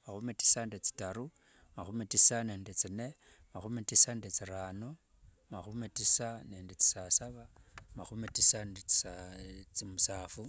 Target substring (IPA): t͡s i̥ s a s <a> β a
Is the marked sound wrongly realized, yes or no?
no